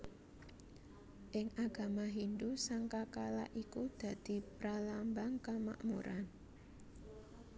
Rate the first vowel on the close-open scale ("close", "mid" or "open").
close